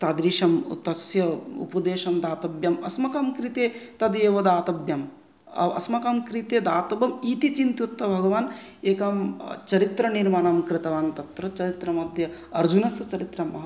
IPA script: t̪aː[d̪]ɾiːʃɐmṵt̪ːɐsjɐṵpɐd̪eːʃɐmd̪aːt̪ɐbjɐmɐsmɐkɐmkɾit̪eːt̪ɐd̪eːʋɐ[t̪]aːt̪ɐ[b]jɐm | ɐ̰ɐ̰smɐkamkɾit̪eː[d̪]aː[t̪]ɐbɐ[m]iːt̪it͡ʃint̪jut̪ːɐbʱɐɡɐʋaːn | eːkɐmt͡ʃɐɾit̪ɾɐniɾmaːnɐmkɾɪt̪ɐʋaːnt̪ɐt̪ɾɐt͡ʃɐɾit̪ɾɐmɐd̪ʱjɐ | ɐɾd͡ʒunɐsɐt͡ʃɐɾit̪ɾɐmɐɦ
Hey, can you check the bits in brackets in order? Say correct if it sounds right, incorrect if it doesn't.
correct, incorrect, correct, correct, correct, correct

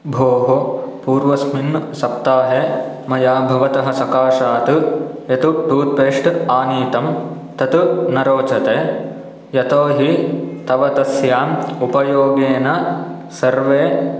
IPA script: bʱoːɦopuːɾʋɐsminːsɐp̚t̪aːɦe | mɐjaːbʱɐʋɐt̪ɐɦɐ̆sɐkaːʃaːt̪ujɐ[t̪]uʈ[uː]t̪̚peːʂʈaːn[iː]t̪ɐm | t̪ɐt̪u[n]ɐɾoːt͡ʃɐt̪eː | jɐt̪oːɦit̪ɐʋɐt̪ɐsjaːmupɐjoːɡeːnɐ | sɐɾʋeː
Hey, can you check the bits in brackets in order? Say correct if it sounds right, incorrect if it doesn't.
correct, correct, correct, correct

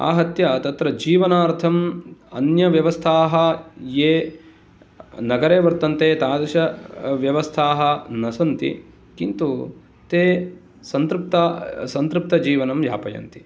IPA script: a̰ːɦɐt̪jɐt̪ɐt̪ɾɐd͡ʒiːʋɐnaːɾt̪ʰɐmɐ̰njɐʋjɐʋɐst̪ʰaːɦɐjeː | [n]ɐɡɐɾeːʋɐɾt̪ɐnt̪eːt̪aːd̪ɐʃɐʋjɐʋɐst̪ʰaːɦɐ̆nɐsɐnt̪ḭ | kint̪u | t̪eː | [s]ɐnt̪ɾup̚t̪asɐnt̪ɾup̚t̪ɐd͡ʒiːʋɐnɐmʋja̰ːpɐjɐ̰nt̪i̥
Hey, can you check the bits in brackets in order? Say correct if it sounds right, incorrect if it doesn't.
correct, correct

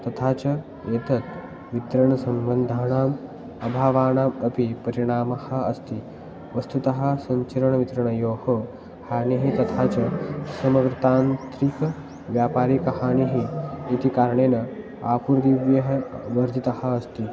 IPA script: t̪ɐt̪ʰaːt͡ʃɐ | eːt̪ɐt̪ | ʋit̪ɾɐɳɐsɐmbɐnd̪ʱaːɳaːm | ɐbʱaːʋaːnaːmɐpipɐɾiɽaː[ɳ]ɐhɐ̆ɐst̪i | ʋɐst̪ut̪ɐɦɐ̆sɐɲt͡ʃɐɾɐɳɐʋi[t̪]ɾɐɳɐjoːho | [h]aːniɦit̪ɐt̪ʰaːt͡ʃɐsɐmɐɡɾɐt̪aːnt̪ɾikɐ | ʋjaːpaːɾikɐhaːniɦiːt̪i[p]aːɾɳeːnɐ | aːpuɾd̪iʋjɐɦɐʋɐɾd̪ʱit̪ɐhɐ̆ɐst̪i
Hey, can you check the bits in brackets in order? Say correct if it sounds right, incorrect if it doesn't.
incorrect, correct, correct, incorrect

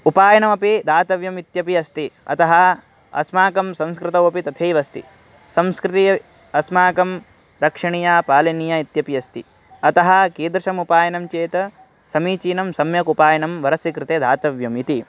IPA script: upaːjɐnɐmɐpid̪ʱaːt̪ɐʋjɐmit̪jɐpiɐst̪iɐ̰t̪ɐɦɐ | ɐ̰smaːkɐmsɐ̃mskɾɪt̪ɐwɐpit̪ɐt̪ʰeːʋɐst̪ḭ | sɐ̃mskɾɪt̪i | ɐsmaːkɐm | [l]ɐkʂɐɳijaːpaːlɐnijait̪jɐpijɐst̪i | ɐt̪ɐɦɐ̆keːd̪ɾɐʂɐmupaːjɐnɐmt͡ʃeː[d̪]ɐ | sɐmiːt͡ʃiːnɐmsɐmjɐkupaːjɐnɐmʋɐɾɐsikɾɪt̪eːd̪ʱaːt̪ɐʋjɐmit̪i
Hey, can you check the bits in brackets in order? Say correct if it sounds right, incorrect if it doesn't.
incorrect, incorrect

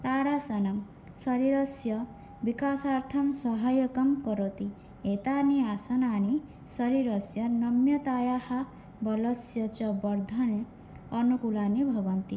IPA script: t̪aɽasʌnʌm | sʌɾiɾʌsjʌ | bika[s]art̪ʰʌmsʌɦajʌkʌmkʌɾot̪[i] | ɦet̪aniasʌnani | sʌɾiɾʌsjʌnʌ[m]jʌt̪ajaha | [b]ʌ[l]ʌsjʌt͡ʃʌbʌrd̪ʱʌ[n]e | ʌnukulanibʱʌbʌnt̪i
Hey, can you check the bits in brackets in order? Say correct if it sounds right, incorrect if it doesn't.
correct, correct, correct, correct, correct, correct

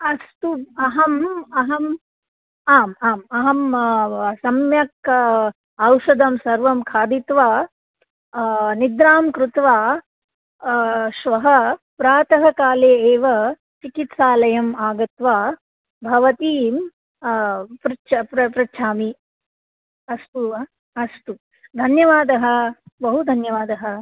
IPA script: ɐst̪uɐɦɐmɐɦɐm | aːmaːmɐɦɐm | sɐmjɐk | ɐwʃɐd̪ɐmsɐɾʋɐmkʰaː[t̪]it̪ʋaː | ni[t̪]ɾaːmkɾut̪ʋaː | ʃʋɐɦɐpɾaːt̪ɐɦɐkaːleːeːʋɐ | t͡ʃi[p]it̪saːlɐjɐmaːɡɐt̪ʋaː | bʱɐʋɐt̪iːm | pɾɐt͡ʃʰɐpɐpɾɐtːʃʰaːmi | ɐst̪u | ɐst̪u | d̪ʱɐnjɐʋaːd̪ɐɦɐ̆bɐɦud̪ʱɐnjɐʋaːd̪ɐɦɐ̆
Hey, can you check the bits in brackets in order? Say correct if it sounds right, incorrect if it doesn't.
incorrect, incorrect, incorrect

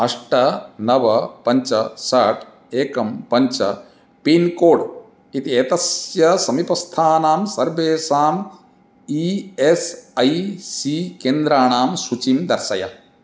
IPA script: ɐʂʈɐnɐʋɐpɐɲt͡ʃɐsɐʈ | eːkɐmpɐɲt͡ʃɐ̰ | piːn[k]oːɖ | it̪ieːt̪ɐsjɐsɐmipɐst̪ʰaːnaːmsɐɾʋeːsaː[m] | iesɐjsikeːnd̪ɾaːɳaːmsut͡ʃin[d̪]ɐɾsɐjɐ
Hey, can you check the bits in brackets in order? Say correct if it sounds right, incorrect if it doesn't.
correct, correct, correct

